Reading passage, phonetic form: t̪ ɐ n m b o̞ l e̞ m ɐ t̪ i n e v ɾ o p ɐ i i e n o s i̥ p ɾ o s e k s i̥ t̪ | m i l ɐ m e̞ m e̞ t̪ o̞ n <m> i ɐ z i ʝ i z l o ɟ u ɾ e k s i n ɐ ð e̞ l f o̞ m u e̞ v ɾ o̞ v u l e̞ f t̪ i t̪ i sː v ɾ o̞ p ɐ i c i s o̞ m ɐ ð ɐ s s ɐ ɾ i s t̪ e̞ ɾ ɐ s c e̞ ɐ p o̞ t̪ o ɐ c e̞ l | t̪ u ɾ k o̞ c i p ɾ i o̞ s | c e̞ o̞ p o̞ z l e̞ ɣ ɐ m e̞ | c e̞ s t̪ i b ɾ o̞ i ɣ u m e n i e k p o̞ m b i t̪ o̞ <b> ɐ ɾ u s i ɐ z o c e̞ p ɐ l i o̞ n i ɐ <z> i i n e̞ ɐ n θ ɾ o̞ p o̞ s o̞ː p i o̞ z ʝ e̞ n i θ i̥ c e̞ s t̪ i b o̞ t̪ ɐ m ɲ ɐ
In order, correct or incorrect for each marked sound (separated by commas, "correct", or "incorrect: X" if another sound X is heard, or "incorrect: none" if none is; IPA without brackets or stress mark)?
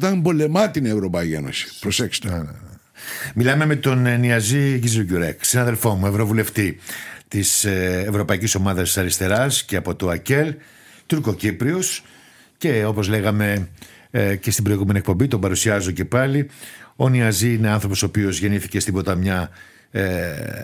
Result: incorrect: n, correct, correct